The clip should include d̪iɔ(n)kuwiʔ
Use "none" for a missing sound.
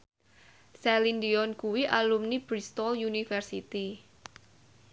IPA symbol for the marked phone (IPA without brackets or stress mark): n